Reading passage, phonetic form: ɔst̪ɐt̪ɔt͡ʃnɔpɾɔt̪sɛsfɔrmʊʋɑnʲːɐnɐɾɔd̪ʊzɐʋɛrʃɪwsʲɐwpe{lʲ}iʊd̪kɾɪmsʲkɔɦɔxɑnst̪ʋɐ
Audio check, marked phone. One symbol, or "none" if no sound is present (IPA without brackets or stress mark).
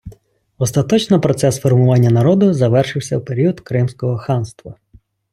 ɾʲ